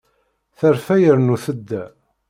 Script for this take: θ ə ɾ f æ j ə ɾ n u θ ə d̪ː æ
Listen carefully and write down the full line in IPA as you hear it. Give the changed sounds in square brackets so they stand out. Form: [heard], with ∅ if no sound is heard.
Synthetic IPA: θ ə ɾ f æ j ə ɾ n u θ ə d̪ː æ